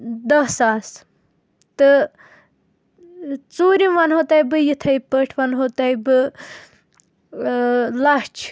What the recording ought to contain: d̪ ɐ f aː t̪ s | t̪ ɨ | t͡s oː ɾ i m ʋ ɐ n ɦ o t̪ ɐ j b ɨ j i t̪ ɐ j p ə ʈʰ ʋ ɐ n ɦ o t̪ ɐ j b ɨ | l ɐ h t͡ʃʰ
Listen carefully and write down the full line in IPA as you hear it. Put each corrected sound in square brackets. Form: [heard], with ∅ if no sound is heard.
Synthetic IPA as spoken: d̪ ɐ [s] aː [∅] s | t̪ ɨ | t͡s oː ɾ i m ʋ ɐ n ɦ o t̪ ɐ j b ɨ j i [t̪ʰ] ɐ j p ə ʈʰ ʋ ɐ n ɦ o t̪ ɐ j b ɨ | l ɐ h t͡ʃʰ